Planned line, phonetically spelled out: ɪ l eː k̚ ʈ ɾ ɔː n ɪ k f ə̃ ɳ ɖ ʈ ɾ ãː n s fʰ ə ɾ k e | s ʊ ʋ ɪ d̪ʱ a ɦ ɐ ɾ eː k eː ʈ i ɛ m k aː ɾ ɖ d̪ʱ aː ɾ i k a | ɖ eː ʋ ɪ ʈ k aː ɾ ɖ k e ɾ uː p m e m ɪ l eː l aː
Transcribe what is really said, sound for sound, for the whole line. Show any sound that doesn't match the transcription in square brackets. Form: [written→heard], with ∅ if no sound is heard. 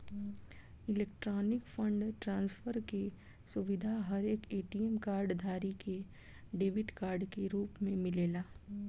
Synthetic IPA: ɪ l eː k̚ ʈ ɾ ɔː n ɪ k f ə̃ ɳ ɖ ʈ ɾ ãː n s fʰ ə ɾ k e | s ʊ ʋ ɪ d̪ʱ a ɦ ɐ ɾ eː k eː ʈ i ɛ m k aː ɾ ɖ d̪ʱ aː ɾ i k [a→e] | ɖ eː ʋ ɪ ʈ k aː ɾ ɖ k e ɾ uː p m [e→ẽ] m ɪ l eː l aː

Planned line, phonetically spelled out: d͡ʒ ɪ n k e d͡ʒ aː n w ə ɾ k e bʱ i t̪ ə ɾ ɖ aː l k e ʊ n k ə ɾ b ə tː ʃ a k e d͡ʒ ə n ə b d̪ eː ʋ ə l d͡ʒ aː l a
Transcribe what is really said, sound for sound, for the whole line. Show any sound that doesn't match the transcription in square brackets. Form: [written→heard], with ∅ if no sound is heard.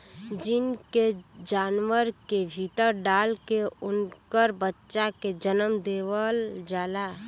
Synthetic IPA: d͡ʒ ɪ n k e d͡ʒ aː n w ə ɾ k e bʱ i t̪ ə ɾ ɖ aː l k e ʊ n k ə ɾ b ə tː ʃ a k e d͡ʒ ə n ə [b→m] d̪ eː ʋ ə l d͡ʒ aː l a

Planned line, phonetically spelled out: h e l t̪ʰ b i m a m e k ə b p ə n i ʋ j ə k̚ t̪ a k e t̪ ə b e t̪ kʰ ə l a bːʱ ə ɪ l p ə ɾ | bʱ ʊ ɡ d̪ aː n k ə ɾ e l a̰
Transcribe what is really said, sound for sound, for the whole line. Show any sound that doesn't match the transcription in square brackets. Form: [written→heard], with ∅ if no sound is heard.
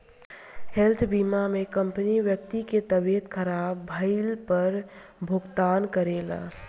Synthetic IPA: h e l t̪ʰ b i m a m e k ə [b→m] p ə n i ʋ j ə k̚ t̪ [a→i] k e t̪ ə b e t̪ kʰ ə [l→ɾ] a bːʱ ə ɪ l p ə ɾ | bʱ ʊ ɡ [d̪→t̪] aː n k ə ɾ e l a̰

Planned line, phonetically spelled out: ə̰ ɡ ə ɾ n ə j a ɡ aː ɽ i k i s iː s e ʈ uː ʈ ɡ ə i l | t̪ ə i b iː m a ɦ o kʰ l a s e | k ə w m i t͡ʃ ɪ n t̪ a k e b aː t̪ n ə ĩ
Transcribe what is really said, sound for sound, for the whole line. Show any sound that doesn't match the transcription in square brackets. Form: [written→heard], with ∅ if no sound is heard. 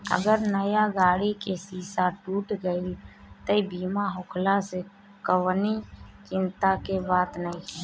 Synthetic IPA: ə̰ ɡ ə ɾ n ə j a ɡ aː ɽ i k [i→e] s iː s [e→a] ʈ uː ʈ ɡ ə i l | t̪ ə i b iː m a ɦ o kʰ l a s e | k ə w [m→n] i t͡ʃ ɪ n t̪ a k e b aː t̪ n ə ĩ

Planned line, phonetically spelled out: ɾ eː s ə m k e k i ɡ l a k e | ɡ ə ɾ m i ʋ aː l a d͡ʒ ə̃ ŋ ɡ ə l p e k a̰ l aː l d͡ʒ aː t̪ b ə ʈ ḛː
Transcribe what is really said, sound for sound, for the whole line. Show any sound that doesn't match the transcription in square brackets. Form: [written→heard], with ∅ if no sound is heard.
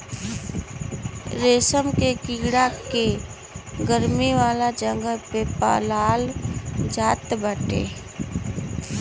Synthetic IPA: ɾ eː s ə m k e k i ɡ [l→ɽ] a k e | ɡ ə ɾ m i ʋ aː l a d͡ʒ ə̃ ŋ ɡ ə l p e [k→p] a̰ l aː l d͡ʒ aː t̪ b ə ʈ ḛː

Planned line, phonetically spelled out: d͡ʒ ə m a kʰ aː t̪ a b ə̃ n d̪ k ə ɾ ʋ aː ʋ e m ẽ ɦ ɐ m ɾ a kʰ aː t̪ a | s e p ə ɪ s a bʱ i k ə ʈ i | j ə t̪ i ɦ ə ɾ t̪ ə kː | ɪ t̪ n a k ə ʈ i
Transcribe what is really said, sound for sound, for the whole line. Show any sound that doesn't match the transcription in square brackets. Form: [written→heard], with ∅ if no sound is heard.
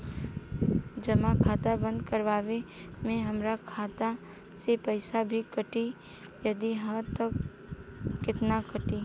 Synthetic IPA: d͡ʒ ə m a kʰ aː t̪ a b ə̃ n d̪ k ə ɾ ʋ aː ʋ e m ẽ ɦ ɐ m ɾ a kʰ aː t̪ a | s e p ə ɪ s a bʱ i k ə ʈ i | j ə [t̪→d̪] i ɦ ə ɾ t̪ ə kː | ɪ t̪ n a k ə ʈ i

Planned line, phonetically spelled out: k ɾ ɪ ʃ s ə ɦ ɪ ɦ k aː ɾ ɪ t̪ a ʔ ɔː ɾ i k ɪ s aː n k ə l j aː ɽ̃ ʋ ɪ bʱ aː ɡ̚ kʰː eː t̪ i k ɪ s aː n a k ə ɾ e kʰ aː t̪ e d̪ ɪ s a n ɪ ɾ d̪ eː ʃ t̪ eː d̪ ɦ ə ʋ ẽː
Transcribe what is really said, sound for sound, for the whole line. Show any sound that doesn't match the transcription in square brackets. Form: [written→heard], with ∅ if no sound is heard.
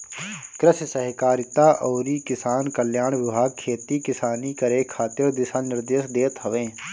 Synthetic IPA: k ɾ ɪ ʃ s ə ɦ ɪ [ɦ→∅] k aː ɾ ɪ t̪ a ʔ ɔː ɾ i k ɪ s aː n k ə l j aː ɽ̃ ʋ ɪ bʱ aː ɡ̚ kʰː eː t̪ i k ɪ s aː n [a→i] k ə ɾ e kʰ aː t̪ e d̪ ɪ s a n ɪ ɾ d̪ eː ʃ [t̪→d̪] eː [d̪→t̪] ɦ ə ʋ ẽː

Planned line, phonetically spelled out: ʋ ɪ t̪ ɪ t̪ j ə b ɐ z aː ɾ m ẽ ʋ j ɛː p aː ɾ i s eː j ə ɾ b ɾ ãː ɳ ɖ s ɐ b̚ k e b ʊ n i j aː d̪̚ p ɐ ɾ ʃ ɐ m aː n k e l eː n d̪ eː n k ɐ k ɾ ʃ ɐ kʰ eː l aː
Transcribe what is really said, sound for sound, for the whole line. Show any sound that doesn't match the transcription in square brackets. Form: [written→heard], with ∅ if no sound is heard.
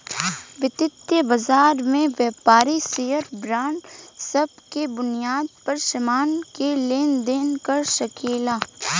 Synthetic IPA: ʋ ɪ t̪ ɪ t̪ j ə b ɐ z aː ɾ m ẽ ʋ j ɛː p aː ɾ i s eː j ə ɾ b ɾ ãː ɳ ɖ s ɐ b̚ k e b ʊ n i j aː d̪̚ p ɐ ɾ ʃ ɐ m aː n k e l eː n d̪ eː n k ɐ [k→∅] ɾ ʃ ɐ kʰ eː l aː

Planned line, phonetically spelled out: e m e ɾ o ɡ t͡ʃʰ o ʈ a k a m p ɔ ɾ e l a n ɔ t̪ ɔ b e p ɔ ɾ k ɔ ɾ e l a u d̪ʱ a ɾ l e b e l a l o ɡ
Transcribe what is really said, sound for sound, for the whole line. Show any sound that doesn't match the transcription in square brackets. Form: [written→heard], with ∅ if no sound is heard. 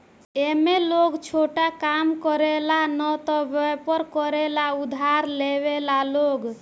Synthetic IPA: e m e [ɾ→l] o ɡ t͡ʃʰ o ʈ a k a m [p→k] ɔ ɾ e l a n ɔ t̪ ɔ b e p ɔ ɾ k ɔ ɾ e l a u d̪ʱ a ɾ l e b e l a l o ɡ

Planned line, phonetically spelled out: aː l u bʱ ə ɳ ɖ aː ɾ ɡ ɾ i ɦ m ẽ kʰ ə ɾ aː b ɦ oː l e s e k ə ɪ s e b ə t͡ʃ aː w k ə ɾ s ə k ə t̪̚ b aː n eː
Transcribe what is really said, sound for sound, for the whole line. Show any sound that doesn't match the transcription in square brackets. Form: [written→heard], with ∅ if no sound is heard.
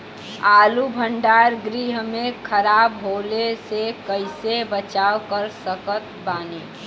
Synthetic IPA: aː l u bʱ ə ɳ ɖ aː ɾ ɡ ɾ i ɦ m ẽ kʰ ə ɾ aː b ɦ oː l e s e k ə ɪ s e b ə t͡ʃ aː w k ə ɾ s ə k ə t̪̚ b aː n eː

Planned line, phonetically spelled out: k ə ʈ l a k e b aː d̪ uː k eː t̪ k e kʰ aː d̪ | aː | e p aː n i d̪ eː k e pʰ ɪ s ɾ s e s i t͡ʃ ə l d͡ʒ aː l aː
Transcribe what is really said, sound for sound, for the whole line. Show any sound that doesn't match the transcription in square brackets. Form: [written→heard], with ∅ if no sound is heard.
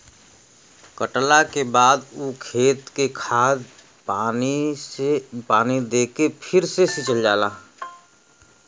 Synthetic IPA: k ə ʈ l a k e b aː d̪ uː [k→kʰ] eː t̪ k e kʰ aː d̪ | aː | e p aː n i d̪ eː k e pʰ ɪ [s→∅] ɾ s e s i t͡ʃ ə l d͡ʒ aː l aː

